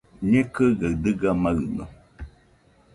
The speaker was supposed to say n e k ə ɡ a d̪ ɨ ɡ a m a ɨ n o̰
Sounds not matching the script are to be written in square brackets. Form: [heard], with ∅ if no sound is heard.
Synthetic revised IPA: [ɲ] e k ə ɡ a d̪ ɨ ɡ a m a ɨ n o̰